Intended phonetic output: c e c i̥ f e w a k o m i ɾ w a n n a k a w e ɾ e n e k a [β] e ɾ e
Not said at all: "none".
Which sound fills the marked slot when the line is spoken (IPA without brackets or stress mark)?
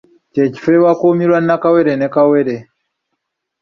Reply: w